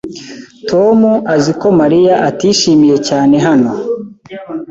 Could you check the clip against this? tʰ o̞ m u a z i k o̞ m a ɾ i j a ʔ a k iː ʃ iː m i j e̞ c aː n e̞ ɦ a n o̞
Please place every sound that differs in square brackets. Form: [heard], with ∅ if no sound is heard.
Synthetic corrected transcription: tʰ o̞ m u a z i k o̞ m a ɾ i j a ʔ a [t] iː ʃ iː m i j e̞ c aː n e̞ ɦ a n o̞